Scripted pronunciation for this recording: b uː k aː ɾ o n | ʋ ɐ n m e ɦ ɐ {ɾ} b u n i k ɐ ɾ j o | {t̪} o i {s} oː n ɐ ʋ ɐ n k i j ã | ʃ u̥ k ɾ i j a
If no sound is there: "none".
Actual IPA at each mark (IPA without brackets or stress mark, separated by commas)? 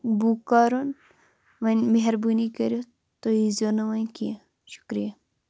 ɾ, t̪, z